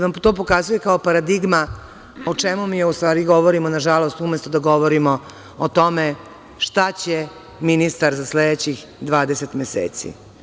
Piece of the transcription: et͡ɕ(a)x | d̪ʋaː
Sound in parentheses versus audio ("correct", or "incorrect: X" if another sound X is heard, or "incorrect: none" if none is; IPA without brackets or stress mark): incorrect: i